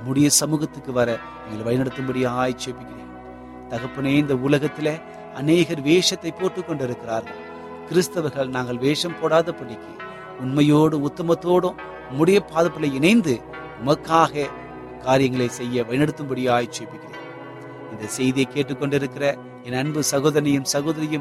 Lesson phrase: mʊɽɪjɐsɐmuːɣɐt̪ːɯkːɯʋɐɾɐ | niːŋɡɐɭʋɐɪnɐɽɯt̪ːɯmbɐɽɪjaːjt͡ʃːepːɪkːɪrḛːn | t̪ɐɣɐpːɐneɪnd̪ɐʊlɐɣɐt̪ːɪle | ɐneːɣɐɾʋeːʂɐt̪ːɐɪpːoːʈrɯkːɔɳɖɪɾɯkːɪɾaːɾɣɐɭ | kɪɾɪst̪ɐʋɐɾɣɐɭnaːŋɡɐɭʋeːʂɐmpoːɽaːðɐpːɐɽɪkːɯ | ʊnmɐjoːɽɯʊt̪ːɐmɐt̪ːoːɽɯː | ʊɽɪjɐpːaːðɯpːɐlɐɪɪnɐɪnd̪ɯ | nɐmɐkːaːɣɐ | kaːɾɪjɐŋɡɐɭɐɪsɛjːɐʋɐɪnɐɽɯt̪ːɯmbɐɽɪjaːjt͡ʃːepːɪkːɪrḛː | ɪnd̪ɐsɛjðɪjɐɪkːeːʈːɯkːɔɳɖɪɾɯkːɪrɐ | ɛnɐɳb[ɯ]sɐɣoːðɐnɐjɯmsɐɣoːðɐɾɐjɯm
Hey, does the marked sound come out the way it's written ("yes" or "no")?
yes